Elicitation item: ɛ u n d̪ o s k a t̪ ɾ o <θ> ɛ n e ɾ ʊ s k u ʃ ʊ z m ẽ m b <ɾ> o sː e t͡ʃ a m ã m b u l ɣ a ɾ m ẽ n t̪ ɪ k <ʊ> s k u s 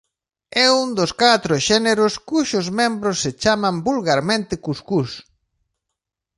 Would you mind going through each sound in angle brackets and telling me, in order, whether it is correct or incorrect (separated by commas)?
incorrect, correct, incorrect